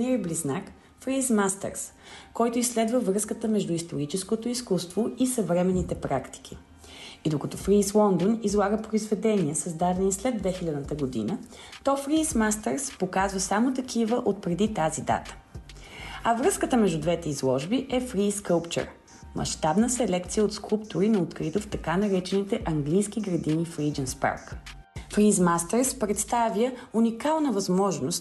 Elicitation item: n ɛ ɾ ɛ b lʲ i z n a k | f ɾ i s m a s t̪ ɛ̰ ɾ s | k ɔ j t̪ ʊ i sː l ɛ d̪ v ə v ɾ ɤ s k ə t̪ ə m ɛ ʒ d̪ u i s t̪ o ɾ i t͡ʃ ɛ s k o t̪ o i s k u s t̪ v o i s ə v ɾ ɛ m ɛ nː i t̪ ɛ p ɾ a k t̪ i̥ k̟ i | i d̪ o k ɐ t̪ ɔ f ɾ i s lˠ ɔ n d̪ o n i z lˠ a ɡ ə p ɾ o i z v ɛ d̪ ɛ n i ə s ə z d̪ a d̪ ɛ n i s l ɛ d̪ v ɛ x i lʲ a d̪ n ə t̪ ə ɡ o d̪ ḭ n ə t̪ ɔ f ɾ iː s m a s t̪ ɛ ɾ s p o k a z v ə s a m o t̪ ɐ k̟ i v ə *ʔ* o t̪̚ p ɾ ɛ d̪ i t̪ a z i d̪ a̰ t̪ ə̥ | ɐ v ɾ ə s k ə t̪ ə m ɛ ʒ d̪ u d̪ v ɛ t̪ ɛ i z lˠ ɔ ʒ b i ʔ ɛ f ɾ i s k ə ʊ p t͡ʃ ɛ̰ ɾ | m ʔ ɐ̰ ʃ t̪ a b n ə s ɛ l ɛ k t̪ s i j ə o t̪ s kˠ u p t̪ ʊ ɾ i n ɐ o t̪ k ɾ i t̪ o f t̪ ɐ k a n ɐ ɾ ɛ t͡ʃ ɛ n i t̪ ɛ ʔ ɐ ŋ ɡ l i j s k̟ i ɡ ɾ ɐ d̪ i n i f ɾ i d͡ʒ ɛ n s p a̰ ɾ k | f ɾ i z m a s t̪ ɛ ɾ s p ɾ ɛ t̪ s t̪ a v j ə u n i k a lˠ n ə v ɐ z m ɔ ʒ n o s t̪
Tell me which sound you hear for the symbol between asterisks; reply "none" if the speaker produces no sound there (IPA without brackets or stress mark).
ʔ